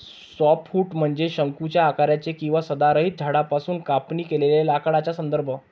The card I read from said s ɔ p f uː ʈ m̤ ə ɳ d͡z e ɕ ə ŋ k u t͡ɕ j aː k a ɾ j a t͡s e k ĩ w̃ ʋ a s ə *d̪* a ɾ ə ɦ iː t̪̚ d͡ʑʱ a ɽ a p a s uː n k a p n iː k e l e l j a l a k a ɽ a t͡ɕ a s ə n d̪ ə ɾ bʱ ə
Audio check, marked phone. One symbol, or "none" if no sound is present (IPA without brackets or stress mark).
d̪